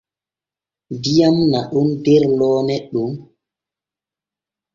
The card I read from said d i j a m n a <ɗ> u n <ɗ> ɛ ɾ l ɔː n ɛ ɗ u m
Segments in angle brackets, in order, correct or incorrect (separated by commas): correct, incorrect